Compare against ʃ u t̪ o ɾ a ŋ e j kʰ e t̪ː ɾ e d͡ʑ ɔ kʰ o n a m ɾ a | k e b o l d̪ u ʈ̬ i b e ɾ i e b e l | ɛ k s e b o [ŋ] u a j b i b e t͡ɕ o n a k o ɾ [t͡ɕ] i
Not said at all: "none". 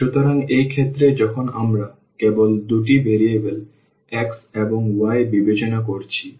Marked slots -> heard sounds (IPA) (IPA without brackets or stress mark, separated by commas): ŋ, t͡ɕʰ